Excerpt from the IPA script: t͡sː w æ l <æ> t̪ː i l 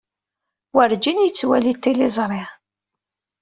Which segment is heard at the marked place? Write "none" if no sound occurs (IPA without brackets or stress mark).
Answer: i